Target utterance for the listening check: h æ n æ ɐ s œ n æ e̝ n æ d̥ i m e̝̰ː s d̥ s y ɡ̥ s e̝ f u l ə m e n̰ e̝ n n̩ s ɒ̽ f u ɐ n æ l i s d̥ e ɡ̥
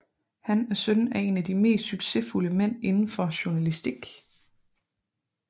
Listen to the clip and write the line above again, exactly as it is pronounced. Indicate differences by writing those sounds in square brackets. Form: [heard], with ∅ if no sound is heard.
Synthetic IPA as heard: h æ n æ ɐ s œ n æ e̝ n æ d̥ i m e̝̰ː s d̥ s y ɡ̥ s e̝ f u l ə m e n̰ e̝ n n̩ [f] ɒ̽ [ɕ] u ɐ n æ l i s d̥ [i] ɡ̥